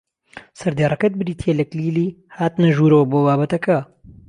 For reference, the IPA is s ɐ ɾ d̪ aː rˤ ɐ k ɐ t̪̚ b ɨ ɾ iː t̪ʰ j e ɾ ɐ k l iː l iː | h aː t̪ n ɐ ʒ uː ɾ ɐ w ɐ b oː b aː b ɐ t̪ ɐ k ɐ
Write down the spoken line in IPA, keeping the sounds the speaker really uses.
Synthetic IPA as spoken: s ɐ ɾ d̪ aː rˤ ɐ k ɐ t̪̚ b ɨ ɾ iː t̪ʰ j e l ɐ k l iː l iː | h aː t̪ n ɐ ʒ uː ɾ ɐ w ɐ b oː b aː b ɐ t̪ ɐ k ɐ